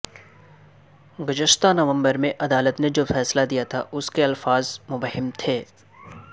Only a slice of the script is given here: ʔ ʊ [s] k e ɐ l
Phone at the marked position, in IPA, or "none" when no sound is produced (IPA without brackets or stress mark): s